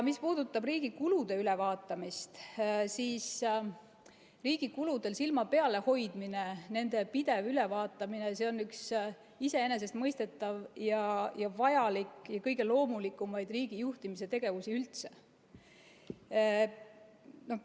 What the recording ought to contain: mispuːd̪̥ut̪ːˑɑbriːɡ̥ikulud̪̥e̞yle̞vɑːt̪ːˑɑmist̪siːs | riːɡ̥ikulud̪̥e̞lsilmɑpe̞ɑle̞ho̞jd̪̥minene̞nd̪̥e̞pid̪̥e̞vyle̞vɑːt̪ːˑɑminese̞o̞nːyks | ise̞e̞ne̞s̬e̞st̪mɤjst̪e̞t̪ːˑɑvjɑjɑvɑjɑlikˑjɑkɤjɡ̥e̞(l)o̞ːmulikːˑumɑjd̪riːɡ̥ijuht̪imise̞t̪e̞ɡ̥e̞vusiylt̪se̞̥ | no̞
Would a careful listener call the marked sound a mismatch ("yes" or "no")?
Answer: no